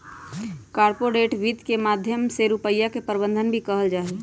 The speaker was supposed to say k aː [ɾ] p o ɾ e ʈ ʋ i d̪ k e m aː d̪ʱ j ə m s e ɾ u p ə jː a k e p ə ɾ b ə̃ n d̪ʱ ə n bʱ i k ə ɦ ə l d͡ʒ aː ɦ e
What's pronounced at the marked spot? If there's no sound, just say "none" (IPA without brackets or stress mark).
ɾ